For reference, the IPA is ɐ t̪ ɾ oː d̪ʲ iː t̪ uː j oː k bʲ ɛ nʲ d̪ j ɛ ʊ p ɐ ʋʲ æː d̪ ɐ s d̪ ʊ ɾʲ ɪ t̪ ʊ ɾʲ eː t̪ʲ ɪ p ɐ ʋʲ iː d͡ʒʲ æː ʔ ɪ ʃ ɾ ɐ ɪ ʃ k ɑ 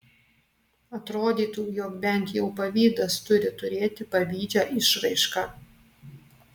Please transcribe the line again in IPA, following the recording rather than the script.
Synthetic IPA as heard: ɐ t̪ ɾ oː d̪ʲ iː t̪ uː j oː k bʲ ɛ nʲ t̪ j ɛ ʊ p ɐ ʋʲ iː d̪ ɐ s t̪ ʊ ɾʲ ɪ t̪ ʊ ɾʲ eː t̪ʲ ɪ p ɐ ʋʲ iː d͡ʒʲ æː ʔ ɪ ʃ ɾ ɐ ɪ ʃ k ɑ

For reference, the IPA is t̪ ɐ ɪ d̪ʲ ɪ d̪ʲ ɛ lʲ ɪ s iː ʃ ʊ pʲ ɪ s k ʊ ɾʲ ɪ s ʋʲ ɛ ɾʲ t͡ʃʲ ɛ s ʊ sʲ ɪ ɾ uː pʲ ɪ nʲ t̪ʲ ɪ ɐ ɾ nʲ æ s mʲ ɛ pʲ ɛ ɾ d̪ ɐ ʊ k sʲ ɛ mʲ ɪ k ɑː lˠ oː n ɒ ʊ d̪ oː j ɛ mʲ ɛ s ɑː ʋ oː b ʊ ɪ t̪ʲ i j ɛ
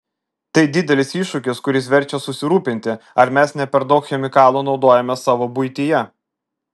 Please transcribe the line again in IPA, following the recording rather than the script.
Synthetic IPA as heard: t̪ ɐ ɪ d̪ʲ ɪ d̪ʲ ɛ lʲ ɪ s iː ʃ ʊ kʲ ɪ s k ʊ ɾʲ ɪ s ʋʲ ɛ ɾʲ t͡ʃʲ ɛ s ʊ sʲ ɪ ɾ uː pʲ ɪ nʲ t̪ʲ ɪ ɐ ɾ mʲ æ s nʲ ɛ pʲ ɛ ɾ d̪ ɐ ʊ k xʲ ɛ mʲ ɪ k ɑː lˠ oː n ɒ ʊ d̪ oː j ɛ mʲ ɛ s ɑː ʋ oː b ʊ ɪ t̪ʲ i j ɛ

